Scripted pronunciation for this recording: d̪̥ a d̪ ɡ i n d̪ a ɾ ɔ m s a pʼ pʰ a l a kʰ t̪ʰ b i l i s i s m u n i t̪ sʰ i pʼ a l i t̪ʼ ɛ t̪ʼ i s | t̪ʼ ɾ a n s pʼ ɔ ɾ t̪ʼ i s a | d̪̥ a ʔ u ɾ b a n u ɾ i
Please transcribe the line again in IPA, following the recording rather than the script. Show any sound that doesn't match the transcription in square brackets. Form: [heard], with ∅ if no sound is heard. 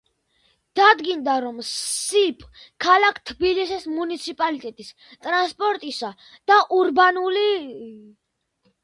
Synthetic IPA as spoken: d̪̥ a d̪ ɡ i n d̪ a ɾ ɔ m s [i] pʼ [kʰ] a l a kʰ t̪ʰ b i l i s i s m u n i t̪ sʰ i pʼ a l i t̪ʼ ɛ t̪ʼ i s | t̪ʼ ɾ a n s pʼ ɔ ɾ t̪ʼ i s a | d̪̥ a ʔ u ɾ b a n u [l] i